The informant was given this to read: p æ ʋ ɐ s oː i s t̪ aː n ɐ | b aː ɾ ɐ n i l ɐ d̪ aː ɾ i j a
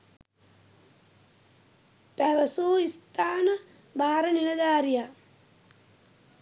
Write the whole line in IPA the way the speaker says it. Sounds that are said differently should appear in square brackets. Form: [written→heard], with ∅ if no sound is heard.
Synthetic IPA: p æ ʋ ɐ s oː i s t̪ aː n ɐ | b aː ɾ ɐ n i l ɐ d̪ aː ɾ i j a